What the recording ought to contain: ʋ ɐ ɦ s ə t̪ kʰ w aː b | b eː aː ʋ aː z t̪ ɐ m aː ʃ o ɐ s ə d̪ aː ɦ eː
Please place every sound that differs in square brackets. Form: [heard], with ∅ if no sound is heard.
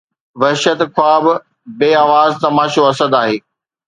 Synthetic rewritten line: ʋ ɐ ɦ [ʃ] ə t̪ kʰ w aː b | b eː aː ʋ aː z t̪ ɐ m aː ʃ o ɐ s ə d̪ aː ɦ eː